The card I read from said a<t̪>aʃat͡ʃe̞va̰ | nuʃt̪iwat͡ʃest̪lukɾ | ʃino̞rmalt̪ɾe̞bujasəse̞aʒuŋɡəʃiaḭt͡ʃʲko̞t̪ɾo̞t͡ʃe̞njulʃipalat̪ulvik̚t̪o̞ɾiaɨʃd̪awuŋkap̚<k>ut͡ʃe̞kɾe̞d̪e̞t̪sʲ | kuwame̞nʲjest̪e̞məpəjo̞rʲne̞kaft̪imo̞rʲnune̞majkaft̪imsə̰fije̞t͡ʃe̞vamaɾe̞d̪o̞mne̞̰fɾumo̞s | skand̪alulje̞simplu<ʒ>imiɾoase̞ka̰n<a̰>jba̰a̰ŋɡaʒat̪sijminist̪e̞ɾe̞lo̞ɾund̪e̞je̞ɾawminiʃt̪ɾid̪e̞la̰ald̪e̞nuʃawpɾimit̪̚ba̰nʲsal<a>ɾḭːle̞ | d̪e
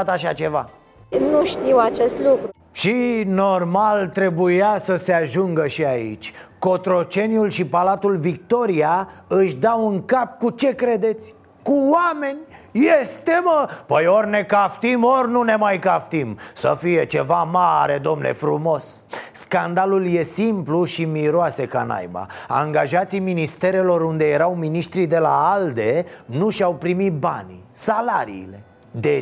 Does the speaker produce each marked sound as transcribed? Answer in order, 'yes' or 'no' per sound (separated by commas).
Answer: yes, yes, no, yes, yes